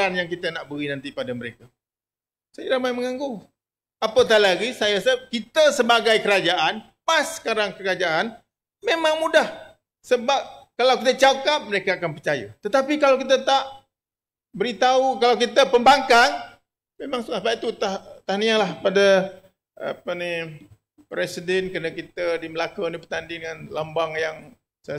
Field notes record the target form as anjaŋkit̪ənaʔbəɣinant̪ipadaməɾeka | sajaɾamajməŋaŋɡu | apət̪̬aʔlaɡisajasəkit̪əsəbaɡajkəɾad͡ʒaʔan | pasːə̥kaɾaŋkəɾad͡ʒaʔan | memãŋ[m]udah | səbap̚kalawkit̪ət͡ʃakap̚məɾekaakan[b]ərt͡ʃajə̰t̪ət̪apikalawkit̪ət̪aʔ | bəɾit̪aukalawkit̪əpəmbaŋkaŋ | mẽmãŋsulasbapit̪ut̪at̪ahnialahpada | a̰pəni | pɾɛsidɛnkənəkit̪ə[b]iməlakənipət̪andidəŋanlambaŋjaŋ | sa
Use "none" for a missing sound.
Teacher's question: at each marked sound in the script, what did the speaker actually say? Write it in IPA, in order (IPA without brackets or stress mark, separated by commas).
m, p, d